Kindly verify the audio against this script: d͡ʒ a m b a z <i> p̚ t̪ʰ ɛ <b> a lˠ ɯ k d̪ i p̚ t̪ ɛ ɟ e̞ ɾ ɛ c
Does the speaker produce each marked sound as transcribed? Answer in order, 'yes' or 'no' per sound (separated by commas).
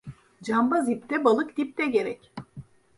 yes, yes